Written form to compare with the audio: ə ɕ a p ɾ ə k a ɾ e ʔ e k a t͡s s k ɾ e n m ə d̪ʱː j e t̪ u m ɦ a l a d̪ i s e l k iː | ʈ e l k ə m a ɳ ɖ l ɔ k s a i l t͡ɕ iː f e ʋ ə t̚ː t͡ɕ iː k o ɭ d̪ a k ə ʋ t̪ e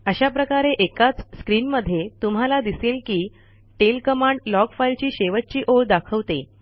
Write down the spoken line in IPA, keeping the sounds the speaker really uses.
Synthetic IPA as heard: ə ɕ a p ɾ ə k a ɾ e ʔ e k a t͡s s k ɾ i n m ə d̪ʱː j e t̪ u m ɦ a l a d̪ i s e l k iː | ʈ e l k ə m a ɳ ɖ l ɔ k f a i l t͡ɕ iː ɕ e ʋ ə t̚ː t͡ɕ iː ʔ o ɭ d̪ a kʰ ə ʋ t̪ e